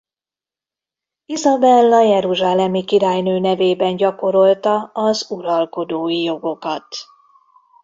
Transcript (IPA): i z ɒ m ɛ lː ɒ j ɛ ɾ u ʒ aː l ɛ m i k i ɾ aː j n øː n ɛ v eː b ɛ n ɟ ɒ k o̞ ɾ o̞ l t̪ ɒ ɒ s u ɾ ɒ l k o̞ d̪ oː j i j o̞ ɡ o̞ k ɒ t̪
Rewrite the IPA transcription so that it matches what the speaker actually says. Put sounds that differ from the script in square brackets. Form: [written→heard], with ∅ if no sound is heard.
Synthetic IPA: i z ɒ [m→b] ɛ lː ɒ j ɛ ɾ u ʒ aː l ɛ m i k i ɾ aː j n øː n ɛ v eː b ɛ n ɟ ɒ k o̞ ɾ o̞ l t̪ ɒ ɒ [s→z] u ɾ ɒ l k o̞ d̪ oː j i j o̞ ɡ o̞ k ɒ t̪